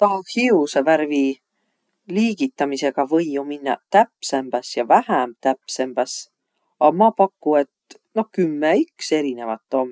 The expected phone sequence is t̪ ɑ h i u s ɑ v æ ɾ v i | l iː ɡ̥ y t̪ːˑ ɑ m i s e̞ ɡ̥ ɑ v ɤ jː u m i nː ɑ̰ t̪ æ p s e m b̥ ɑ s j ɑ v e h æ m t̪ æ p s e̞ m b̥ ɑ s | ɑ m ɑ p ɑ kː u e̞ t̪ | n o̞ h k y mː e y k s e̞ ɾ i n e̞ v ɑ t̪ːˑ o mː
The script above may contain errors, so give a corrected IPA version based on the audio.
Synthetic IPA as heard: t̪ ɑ h i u s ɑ v æ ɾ v i | l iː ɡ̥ i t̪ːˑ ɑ m i s e̞ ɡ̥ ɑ v ɤ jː u m i nː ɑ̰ t̪ æ p s e m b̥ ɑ s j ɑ v æ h æ m t̪ æ p s e̞ m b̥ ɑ s | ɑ m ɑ p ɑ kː u e̞ t̪ | n o̞ h k y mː e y k s e̞ ɾ i n e̞ v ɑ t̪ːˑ o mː

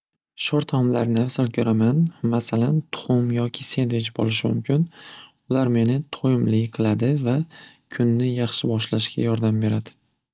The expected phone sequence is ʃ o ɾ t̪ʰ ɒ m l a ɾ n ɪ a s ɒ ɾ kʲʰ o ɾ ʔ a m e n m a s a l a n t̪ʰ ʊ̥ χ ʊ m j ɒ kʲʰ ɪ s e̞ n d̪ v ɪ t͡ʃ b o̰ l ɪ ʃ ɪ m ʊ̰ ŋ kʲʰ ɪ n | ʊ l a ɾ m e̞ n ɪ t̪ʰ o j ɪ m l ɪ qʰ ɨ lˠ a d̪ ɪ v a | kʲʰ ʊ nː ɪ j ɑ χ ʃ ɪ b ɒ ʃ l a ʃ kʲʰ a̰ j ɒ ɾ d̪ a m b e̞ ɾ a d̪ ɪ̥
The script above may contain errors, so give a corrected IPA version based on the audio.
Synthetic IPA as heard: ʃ o ɾ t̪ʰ ɒ m l a ɾ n ɪ a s ɒ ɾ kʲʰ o ɾ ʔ a m a n m a s a l a n t̪ʰ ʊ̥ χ ʊ m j ɒ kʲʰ ɪ s e̞ n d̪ v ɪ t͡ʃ b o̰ l ɪ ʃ ɪ m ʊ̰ m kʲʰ ɪ n | ʊ l a ɾ m e̞ n ɪ t̪ʰ o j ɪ m l ɪ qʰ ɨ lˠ a d̪ ɪ v a | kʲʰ ʊ nː ɪ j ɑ χ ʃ ɪ b ɒ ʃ l a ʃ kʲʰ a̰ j ɒ ɾ d̪ a m b e̞ ɾ a d̪ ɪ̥

